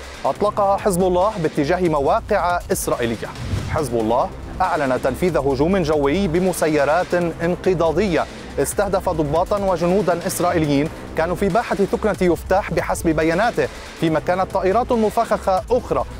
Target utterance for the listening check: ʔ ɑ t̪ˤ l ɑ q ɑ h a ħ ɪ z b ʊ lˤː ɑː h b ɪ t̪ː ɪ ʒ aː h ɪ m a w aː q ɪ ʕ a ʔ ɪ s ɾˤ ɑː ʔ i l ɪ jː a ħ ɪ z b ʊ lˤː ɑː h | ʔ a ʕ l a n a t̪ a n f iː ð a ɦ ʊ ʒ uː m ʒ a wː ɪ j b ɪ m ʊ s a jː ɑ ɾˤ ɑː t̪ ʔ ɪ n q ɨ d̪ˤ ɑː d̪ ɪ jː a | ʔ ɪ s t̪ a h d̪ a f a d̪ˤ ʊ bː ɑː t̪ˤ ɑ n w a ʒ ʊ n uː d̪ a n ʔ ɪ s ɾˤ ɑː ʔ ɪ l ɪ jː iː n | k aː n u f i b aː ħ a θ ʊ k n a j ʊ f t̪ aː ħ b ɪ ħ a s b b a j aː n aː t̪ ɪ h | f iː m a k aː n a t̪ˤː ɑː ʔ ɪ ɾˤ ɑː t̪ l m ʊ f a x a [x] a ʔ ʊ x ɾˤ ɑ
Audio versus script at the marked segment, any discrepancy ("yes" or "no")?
no